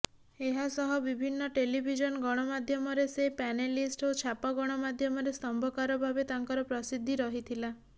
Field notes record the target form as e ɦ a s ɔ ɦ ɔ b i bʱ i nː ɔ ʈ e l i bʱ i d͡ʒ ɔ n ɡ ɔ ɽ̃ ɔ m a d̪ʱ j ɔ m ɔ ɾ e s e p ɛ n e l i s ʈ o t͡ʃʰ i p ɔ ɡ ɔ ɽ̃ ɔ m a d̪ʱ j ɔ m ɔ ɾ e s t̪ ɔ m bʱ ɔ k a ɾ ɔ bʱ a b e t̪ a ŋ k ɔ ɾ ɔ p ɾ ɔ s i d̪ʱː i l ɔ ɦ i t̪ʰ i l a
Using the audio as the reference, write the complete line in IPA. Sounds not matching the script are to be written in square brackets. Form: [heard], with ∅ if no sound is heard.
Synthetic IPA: e ɦ a s ɔ ɦ ɔ b i bʱ i nː ɔ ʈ e l i bʱ i d͡ʒ ɔ n ɡ ɔ ɽ̃ ɔ m a d̪ʱ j ɔ m ɔ ɾ e s e p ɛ n e l i s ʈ o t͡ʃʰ [a] p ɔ ɡ ɔ ɽ̃ ɔ m a d̪ʱ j ɔ m ɔ ɾ e s t̪ ɔ m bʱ ɔ k a ɾ ɔ bʱ a b e t̪ a ŋ k ɔ ɾ ɔ p ɾ ɔ s i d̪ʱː i [ɾ] ɔ ɦ i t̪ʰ i l a